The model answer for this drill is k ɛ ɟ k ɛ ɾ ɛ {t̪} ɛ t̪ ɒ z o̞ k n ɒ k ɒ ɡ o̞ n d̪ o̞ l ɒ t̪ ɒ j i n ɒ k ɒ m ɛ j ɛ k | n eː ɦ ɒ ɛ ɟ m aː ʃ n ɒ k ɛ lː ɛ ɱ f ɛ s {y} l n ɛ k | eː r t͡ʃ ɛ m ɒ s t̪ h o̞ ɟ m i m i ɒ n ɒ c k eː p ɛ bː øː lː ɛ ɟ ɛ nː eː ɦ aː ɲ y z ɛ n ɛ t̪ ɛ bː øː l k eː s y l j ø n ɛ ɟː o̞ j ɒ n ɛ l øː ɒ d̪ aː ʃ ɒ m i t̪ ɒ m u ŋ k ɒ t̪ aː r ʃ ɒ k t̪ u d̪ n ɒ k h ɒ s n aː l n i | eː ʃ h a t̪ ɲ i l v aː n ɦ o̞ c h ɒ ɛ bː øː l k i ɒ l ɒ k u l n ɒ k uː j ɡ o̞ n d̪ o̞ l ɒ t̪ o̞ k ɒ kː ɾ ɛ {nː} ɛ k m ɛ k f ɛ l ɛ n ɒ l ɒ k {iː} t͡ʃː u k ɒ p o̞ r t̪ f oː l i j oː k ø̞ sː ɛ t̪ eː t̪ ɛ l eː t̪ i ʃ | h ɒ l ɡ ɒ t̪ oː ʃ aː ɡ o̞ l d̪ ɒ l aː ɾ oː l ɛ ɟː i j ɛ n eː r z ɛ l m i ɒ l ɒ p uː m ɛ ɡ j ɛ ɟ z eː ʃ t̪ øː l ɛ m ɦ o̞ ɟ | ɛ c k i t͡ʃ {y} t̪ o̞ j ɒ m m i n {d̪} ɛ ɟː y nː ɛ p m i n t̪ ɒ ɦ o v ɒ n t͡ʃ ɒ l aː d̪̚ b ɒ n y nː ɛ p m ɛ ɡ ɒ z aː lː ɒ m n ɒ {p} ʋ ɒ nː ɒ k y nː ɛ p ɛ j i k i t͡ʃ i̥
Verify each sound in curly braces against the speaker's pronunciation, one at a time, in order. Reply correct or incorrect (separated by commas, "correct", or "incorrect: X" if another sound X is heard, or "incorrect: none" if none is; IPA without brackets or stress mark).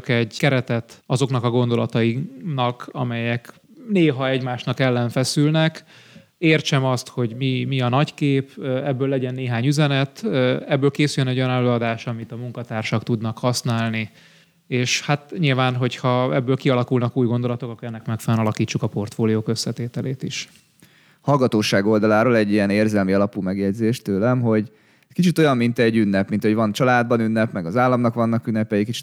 correct, correct, correct, correct, incorrect: i, incorrect: t̪, incorrect: k